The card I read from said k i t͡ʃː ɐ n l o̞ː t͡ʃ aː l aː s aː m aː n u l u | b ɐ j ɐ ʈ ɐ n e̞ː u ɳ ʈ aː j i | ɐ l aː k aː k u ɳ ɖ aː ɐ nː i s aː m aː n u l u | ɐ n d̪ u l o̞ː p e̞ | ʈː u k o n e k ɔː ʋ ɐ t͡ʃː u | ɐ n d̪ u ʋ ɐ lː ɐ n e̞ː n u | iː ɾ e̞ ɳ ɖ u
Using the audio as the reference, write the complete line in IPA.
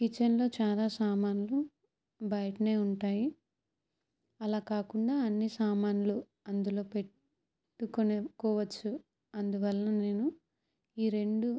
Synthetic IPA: k i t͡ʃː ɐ n l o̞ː t͡ʃ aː l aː s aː m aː n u l u | b ɐ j ɐ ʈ ɐ n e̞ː u ɳ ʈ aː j i | ɐ l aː k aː k u ɳ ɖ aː ɐ nː i s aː m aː n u l u | ɐ n d̪ u l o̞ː p e̞ | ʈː u k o n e k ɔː ʋ ɐ t͡ʃː u | ɐ n d̪ u ʋ ɐ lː ɐ n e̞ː n u | iː ɾ e̞ ɳ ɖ u